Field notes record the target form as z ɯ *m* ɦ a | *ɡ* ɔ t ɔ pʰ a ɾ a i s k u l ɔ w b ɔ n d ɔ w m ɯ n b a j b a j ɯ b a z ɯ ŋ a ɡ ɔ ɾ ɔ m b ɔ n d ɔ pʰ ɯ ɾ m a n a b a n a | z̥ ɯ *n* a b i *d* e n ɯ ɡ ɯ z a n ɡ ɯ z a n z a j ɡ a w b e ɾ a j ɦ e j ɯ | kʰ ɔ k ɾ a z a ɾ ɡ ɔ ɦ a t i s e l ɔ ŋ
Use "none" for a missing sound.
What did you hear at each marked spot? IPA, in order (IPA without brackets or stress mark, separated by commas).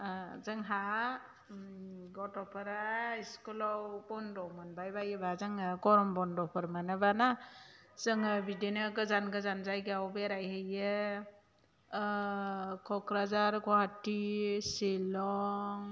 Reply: ŋ, ɡ, ŋ, d